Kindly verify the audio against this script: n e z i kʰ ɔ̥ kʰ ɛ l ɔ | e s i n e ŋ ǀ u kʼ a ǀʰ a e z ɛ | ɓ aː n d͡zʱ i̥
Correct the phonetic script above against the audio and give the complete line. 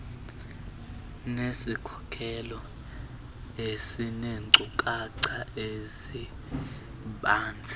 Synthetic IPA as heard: n e s i kʰ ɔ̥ kʰ ɛ l ɔ | e s i n e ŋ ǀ u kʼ a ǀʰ a e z i | ɓ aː n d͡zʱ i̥

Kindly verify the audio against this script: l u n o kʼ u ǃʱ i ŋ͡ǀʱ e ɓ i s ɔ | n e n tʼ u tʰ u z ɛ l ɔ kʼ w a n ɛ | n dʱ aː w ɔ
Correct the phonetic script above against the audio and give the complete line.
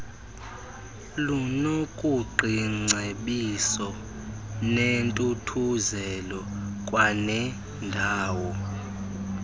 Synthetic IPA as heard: l u n o kʼ u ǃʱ i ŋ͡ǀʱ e ɓ i s ɔ | n e n tʼ u tʰ u z ɛ l ɔ kʼ w a n ɛ | n dʱ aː w ɔ

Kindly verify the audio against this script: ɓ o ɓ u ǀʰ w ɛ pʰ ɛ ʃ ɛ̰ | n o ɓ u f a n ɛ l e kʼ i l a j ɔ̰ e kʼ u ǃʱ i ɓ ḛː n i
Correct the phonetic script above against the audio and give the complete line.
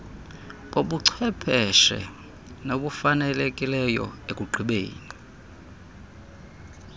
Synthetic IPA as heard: ɓ o ɓ u ǀʰ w ɛ pʰ ɛ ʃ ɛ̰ | n o ɓ u f a n ɛ l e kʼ i l ɛ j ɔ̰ e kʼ u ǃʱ i ɓ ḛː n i

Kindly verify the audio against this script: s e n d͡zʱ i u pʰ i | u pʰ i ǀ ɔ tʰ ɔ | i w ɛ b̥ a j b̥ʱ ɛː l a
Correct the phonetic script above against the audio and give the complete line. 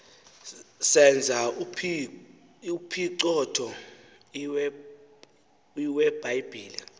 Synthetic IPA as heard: s ɛ n d͡zʱ a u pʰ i | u pʰ i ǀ ɔ tʰ ɔ | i w ɛ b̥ a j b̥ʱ iː l i

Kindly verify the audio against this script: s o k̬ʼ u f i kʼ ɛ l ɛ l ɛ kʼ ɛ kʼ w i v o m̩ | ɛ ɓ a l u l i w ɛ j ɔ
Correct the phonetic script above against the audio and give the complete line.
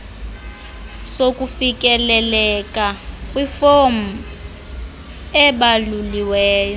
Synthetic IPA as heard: s o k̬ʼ u f i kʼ ɛ l ɛ l ɛ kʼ a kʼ w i f o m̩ | ɛ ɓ a l u l i w ɛː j ɔ

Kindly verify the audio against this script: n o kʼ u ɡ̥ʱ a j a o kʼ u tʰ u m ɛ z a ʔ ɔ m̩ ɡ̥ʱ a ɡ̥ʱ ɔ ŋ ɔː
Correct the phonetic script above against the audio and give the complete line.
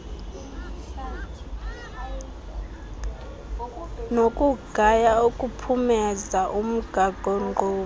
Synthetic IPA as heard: n o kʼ u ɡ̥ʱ a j a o kʼ u pʰ u m ɛ z a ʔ u m̩ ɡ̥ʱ a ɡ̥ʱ ɔ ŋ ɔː

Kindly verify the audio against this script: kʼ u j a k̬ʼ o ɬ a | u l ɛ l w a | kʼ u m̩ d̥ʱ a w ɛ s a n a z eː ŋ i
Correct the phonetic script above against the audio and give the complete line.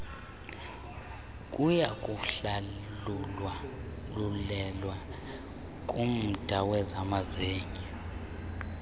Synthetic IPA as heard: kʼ u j a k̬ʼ u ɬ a | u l ɛ l w a | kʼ u m̩ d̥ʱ a w ɛ z a m a z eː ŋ i

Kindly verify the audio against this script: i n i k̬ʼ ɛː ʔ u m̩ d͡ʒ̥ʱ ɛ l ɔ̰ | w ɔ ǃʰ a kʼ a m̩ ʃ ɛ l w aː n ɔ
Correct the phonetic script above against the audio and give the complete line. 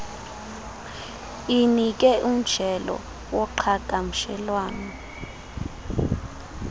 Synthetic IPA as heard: i n i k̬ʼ ɛ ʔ u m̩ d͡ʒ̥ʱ ɛ l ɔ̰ | w ɔ ǃʰ a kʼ a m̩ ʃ ɛ l w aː n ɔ

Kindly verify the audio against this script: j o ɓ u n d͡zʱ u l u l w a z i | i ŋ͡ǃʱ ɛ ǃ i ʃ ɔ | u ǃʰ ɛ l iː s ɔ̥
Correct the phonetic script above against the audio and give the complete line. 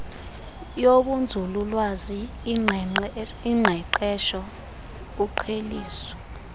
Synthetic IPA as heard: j o ɓ u n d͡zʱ u l u l w a z i | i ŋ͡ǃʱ ɛ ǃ ɛ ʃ ɔ | u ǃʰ e l iː s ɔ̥

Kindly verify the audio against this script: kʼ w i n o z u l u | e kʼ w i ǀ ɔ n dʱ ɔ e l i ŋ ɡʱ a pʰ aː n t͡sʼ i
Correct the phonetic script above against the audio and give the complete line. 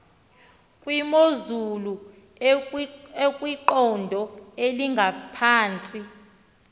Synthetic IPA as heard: kʼ w i m o z u l u | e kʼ w i ǃ ɔ n dʱ ɔ e l i ŋ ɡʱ a pʰ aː n t͡sʼ i

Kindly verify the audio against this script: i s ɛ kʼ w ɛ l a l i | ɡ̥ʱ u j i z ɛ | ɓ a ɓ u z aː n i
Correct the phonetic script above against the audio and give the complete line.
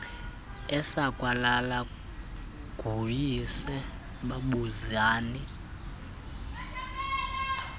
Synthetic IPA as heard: ɛ s a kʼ w a l a l a | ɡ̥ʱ u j i s ɛ | ɓ a ɓ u z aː n i

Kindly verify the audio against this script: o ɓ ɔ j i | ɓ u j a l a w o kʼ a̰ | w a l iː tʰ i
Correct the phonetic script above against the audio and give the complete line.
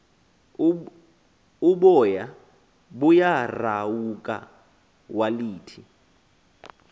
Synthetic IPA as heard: u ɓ ɔ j a | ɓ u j a r a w u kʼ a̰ | w a l iː tʰ i

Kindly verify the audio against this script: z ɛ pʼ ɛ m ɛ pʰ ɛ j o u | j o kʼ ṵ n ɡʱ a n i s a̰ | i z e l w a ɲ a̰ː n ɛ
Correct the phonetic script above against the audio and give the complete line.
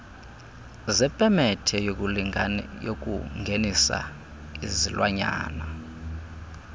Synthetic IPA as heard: z ɛ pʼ ɛ m ɛ tʰ ɛ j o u | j o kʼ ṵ ŋ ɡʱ e n i s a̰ | i z i l w a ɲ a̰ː n a

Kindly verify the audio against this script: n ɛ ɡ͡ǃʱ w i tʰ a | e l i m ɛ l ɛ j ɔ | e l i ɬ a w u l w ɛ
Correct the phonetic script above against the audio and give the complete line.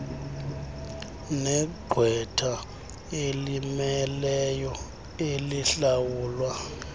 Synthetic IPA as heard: n ɛ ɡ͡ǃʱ w ɛ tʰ a | e l i m ɛ l ɛ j ɔ | e l i ɬ a w uː l w a

